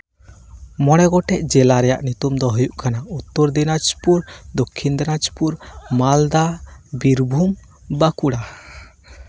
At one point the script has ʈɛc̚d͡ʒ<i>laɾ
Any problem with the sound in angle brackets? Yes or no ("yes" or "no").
yes